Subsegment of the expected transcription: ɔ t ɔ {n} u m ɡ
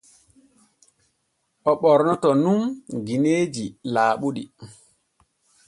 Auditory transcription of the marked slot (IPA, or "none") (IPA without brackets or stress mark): n